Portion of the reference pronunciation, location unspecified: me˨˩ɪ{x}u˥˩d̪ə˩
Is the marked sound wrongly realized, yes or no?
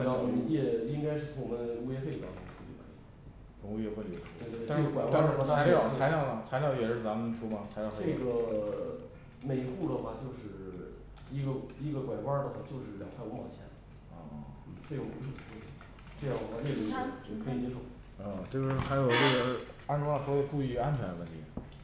no